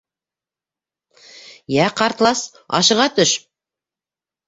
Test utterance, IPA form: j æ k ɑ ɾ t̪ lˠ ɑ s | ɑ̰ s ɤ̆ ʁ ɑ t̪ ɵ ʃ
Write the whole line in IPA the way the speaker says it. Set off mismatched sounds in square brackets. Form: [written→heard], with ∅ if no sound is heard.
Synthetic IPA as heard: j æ [k→q] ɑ ɾ t̪ lˠ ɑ s | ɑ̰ [s→ʃ] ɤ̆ ʁ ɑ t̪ ɵ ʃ